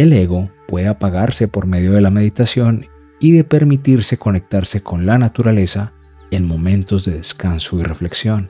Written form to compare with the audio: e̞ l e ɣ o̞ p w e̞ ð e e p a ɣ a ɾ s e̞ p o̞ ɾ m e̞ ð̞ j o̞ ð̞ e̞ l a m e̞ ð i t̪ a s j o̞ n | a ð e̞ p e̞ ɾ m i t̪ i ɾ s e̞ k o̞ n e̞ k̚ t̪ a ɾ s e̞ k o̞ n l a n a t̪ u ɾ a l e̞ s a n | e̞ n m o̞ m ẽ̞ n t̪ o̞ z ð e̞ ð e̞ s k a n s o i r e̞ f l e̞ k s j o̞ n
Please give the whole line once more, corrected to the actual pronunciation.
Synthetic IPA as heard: e̞ l e ɣ o̞ p w e̞ ð e a p a ɣ a ɾ s e̞ p o̞ ɾ m e̞ ð̞ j o̞ ð̞ e̞ l a m e̞ ð i t̪ a s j o̞ n | i ð e̞ p e̞ ɾ m i t̪ i ɾ s e̞ k o̞ n e̞ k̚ t̪ a ɾ s e̞ k o̞ n l a n a t̪ u ɾ a l e̞ s a | e̞ n m o̞ m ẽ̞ n t̪ o̞ z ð e̞ ð e̞ s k a n s o i r e̞ f l e̞ k s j o̞ n